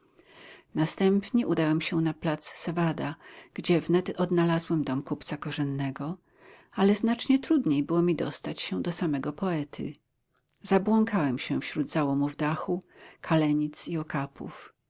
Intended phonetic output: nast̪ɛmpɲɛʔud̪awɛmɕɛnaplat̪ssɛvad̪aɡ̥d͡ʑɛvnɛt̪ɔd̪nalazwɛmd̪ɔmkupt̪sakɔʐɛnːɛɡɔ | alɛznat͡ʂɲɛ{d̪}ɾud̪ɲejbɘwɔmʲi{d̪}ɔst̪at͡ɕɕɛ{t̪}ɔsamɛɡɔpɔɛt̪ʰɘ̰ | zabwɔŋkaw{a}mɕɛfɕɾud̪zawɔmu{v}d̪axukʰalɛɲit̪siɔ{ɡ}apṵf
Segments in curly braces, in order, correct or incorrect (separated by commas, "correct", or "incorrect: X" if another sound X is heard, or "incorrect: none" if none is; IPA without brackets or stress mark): incorrect: t̪, correct, incorrect: d̪, incorrect: ɛ, correct, incorrect: k